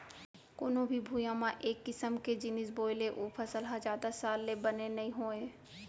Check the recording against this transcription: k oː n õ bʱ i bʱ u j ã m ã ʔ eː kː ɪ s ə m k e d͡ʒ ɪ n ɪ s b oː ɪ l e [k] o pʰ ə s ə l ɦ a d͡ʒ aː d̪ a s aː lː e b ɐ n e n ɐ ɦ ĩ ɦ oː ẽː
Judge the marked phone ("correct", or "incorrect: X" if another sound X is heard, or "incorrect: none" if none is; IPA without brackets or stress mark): incorrect: ʔ